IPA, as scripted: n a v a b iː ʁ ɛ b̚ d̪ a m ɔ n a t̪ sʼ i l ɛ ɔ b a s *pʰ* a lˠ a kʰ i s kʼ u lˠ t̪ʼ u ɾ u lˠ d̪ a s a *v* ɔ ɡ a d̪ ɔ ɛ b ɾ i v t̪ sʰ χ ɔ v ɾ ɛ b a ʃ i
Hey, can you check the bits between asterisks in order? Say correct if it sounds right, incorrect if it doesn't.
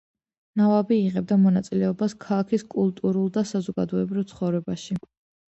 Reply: incorrect, incorrect

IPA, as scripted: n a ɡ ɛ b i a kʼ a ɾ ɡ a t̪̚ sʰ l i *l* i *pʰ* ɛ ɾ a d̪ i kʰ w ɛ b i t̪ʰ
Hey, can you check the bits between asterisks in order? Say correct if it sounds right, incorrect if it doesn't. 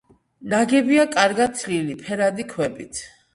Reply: correct, correct

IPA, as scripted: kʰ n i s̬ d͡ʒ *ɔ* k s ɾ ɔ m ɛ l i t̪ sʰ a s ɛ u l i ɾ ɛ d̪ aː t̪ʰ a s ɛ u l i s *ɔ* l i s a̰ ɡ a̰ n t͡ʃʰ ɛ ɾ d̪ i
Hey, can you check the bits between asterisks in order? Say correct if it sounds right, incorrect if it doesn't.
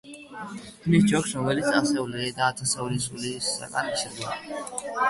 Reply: correct, incorrect

